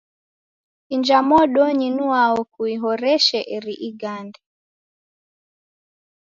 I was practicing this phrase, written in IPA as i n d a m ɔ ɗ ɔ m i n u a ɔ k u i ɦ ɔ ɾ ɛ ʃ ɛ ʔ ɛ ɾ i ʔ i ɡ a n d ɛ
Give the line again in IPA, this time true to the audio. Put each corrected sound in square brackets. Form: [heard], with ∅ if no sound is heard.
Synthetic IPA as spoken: i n [d͡ʒ] a m ɔ ɗ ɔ [ɲ] i n u a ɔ k u i ɦ ɔ ɾ ɛ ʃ ɛ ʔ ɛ ɾ i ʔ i ɡ a n d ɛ

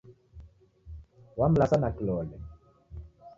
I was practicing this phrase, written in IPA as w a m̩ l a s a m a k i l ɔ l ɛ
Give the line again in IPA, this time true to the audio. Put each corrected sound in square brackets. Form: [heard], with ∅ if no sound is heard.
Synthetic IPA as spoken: w a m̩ l a s a [n] a k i l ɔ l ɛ

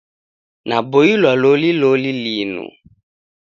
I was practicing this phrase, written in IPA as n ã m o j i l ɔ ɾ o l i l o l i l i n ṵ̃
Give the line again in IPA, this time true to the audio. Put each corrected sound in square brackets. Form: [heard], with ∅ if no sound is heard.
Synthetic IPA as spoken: n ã [b] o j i l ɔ [l] o l i l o l i l i n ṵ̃

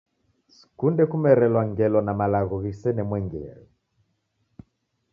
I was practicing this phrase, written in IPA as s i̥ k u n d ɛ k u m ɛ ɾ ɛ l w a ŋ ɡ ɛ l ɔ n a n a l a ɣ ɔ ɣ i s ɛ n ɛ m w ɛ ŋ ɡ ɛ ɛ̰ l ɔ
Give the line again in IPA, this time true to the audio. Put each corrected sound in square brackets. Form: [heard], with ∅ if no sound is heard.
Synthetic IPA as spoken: s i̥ k u n d ɛ k u m ɛ ɾ ɛ l w a ŋ ɡ ɛ l ɔ n a [m] a l a ɣ ɔ ɣ i s ɛ n ɛ m w ɛ ŋ ɡ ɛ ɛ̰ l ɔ

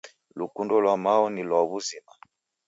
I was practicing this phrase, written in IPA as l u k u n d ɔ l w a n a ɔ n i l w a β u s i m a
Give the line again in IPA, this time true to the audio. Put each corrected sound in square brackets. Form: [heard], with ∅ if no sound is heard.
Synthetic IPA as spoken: l u k u n d ɔ l w a [m] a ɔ n i l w a β u [z] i m a

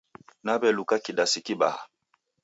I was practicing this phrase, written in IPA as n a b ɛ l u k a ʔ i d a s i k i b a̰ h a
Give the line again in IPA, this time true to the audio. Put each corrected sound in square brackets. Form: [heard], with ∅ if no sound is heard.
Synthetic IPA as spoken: n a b ɛ l u k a [k] i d a s i k i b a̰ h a

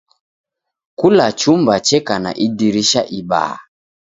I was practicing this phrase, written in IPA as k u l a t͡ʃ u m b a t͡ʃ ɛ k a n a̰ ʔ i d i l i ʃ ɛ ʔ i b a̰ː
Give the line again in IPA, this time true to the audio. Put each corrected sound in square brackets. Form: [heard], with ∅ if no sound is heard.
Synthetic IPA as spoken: k u l a t͡ʃ u m b a t͡ʃ ɛ k a n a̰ ʔ i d i [ɾ] i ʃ [a] ʔ i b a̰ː

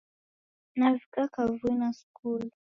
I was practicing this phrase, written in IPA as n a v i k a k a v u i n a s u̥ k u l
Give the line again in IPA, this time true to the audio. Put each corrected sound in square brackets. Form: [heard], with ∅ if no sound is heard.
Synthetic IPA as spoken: n a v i k a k a v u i n a s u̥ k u l

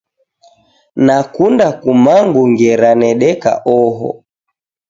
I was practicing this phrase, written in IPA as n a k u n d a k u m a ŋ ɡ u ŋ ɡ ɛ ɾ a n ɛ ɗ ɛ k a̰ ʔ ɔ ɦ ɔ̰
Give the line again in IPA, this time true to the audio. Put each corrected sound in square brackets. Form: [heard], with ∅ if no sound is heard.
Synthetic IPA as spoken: n a k u n d a k u m a ŋ ɡ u ŋ ɡ ɛ ɾ a n ɛ ɗ ɛ k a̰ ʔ ɔ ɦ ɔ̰

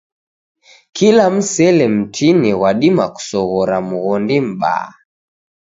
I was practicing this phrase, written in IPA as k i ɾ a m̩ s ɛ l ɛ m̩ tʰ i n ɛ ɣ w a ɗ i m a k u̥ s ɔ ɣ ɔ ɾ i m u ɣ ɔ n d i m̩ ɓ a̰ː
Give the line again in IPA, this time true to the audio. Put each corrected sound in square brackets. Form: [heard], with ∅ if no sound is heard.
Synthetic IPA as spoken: k i [l] a m̩ s ɛ l ɛ m̩ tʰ i n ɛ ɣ w a ɗ i m a k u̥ s ɔ ɣ ɔ ɾ [a] m u ɣ ɔ n d i m̩ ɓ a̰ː

